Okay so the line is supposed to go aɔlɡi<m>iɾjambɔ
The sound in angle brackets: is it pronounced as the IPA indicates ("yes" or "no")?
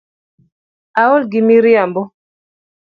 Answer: yes